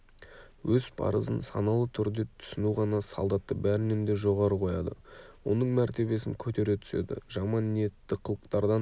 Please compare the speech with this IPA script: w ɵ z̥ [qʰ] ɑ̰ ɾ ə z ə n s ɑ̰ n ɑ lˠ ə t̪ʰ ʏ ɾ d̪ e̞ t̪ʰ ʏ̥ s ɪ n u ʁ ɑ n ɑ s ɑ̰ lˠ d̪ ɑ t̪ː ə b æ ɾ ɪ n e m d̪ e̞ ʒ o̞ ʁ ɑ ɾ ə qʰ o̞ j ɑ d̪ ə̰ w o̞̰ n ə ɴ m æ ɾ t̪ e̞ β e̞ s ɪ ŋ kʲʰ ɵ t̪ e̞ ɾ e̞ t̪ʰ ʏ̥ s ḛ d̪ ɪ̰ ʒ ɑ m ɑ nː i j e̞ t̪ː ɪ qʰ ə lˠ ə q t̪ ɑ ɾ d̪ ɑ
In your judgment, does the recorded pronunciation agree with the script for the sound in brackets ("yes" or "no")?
no